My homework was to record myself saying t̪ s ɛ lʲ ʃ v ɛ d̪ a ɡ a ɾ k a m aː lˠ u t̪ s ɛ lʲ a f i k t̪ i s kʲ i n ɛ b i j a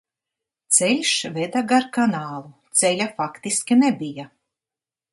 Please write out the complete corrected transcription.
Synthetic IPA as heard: t̪ s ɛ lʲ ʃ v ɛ d̪ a ɡ a ɾ k a n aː lˠ u t̪ s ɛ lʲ a f a k t̪ i s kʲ i n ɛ b i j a